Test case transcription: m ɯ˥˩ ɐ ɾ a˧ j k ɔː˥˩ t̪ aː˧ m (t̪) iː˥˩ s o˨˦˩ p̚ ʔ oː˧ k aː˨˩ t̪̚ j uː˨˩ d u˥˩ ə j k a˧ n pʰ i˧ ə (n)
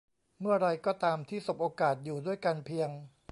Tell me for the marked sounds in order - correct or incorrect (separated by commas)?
incorrect, incorrect